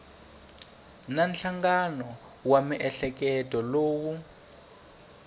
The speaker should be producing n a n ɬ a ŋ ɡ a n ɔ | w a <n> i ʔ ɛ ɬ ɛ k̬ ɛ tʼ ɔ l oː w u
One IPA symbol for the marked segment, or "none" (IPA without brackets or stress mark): m